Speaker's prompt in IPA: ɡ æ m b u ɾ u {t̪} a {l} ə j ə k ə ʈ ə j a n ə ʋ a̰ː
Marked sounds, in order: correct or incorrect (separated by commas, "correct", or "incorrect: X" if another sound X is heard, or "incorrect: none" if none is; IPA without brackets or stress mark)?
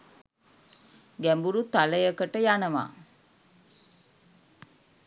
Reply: correct, correct